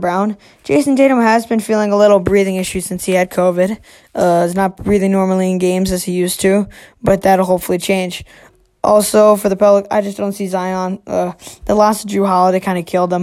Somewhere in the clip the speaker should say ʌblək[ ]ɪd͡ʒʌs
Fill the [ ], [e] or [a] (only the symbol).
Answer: a